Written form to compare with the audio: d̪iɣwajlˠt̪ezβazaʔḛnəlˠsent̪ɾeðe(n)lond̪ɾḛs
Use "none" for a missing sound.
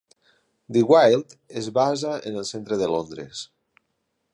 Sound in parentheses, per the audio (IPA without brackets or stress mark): none